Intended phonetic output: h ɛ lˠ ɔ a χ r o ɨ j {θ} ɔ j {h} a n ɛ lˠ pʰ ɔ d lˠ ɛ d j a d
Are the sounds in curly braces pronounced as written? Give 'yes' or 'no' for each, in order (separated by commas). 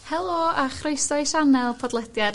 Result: no, no